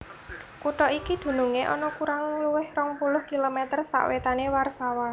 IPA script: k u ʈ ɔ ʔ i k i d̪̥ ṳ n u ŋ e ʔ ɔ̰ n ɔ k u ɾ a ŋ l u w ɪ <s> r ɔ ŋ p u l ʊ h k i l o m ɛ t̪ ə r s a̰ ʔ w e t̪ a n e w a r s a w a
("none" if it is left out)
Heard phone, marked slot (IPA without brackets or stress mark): h